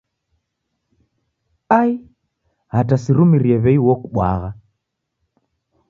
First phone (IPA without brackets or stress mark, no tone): a